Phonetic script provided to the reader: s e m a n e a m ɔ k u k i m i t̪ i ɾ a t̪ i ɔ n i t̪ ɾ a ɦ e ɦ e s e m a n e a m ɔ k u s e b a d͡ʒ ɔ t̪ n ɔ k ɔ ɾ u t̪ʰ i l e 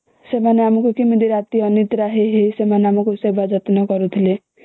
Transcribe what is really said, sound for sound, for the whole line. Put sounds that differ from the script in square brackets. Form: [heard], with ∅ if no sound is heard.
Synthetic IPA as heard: s e m a n e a m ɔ k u k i m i [d̪] i ɾ a t̪ i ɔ n i t̪ ɾ a ɦ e ɦ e s e m a n e a m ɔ k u s e b a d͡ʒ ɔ t̪ n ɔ k ɔ ɾ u t̪ʰ i l e